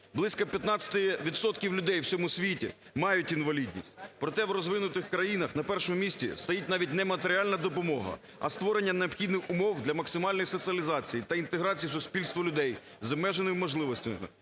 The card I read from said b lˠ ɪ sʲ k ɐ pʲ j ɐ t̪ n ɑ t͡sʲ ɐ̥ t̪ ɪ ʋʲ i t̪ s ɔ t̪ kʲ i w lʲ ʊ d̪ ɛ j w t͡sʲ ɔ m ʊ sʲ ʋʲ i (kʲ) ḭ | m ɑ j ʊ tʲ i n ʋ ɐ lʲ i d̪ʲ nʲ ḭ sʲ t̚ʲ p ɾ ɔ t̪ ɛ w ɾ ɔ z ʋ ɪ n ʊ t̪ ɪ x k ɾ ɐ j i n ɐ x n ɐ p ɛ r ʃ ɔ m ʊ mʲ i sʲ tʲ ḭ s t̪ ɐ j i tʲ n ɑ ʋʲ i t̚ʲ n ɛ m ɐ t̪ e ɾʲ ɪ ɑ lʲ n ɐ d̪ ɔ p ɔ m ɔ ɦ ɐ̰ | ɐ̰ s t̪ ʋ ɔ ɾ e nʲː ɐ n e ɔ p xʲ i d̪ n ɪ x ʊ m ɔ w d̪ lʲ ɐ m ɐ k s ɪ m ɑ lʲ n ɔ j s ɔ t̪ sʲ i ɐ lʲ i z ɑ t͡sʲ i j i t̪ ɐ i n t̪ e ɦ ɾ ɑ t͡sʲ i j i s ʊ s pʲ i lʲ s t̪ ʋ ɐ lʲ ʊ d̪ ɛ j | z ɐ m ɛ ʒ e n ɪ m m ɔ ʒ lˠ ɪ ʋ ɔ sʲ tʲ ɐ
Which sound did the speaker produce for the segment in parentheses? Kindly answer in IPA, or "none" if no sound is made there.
tʲ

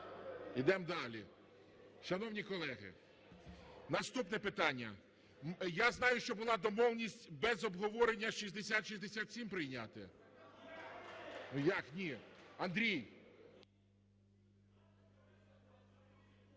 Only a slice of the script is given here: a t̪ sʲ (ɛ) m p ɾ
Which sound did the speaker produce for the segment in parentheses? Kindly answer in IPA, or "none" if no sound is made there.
i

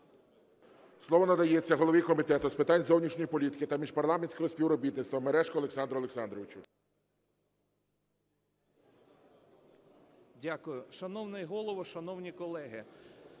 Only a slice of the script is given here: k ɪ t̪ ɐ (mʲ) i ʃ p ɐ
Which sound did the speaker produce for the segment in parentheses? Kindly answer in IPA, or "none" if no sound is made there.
mʲ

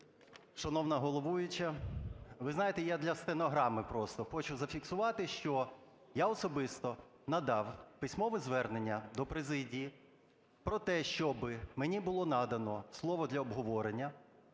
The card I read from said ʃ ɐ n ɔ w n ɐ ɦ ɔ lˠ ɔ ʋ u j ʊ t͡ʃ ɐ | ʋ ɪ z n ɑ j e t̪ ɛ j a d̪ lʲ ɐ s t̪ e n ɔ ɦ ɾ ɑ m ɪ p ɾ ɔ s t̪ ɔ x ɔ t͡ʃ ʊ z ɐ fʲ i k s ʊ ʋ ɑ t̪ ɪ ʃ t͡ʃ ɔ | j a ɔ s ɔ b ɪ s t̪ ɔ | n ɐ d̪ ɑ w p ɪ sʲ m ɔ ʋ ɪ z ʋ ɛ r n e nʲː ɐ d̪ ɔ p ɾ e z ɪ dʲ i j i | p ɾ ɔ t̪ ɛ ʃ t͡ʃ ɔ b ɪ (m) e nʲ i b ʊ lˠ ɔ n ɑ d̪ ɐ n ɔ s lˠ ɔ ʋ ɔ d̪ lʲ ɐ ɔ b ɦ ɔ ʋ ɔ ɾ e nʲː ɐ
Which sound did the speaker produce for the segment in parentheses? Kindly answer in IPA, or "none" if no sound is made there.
m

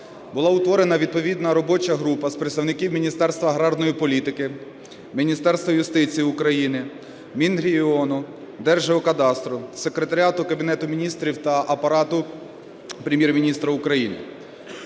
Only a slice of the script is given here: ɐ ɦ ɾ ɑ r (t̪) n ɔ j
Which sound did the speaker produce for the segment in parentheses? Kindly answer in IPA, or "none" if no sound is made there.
d̪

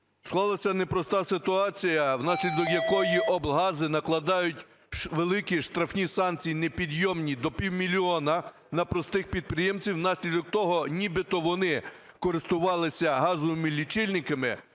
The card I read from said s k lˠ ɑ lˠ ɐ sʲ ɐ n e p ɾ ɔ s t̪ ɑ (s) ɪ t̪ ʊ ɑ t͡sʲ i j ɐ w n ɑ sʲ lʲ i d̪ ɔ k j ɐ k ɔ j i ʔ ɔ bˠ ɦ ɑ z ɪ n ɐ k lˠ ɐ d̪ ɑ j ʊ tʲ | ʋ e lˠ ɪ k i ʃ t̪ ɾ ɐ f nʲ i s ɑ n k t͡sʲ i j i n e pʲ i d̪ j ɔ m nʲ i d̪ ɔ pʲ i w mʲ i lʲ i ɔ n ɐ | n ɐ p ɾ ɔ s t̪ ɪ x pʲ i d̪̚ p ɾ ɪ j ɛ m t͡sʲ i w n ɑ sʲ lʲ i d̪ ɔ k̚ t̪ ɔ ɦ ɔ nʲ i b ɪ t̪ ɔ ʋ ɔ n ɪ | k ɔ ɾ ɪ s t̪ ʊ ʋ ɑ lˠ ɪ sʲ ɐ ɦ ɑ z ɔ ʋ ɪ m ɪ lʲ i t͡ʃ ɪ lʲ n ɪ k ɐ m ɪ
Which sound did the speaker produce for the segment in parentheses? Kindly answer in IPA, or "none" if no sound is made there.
s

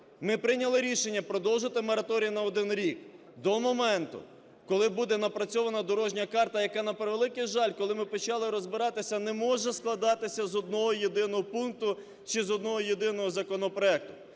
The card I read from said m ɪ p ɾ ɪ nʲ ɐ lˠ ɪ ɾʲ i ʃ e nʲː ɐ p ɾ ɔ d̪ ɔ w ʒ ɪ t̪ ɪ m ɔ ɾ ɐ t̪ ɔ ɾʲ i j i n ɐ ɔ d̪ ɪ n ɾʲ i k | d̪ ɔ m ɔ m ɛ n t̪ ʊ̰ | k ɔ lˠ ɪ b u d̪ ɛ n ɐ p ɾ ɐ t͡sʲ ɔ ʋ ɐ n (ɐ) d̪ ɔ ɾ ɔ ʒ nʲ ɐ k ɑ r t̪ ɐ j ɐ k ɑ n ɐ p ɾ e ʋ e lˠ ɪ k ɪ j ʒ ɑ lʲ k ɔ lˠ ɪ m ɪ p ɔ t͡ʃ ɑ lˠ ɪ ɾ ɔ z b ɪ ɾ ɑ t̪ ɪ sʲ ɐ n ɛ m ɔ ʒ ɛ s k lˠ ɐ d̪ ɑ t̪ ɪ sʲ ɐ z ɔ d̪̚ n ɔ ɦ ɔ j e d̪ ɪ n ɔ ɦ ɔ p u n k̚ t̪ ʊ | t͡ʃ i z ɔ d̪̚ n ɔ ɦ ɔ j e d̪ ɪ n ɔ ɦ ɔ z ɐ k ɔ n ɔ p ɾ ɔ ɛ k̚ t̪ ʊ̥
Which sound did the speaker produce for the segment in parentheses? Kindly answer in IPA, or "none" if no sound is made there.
ɐ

